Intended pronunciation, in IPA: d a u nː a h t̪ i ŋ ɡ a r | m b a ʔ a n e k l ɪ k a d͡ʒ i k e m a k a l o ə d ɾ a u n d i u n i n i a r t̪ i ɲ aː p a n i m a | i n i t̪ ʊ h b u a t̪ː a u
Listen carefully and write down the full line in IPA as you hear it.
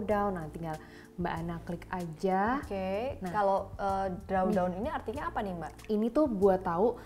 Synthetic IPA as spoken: d a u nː a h t̪ i ŋ ɡ a l | m b a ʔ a n a k l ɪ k a d͡ʒ a k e n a k a l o ə d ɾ a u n d a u n i n i a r t̪ i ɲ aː p a n i m a | i n i t̪ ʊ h b u a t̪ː a u